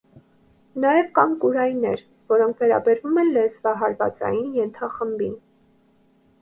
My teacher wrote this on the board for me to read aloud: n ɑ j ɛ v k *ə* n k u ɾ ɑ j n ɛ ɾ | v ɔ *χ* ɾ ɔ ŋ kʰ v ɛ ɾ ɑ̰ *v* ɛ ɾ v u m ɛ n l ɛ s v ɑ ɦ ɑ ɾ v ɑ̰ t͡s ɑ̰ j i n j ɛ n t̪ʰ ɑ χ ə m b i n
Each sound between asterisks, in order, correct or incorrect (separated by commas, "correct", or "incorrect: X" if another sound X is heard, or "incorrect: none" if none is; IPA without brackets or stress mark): incorrect: ɑ, incorrect: none, incorrect: b